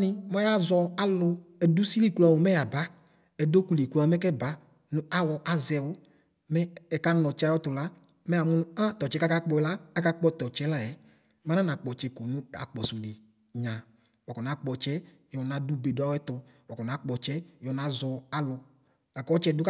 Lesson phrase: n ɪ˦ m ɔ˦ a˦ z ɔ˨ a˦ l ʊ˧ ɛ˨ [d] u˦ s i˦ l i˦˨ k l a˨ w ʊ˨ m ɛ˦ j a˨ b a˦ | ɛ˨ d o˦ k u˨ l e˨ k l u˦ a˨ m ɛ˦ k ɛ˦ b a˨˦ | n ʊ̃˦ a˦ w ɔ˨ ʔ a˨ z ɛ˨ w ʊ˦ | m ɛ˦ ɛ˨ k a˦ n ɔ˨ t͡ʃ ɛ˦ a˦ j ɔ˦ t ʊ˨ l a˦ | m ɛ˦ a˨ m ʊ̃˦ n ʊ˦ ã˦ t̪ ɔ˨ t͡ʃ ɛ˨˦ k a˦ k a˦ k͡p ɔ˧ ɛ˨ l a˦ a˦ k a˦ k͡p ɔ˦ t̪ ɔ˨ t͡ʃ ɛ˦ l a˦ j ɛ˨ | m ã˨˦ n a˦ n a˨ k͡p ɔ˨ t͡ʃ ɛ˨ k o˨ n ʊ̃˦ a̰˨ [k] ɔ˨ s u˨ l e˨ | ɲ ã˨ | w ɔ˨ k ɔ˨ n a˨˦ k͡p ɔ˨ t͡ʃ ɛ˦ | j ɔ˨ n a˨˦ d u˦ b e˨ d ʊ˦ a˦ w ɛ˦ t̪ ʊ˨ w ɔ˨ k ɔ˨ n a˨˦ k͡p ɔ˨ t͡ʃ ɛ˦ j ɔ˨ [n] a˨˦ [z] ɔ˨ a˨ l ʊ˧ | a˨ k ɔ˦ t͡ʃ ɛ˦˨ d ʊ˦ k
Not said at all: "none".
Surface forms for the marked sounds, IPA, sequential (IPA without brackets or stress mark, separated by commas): d, k͡p, n, z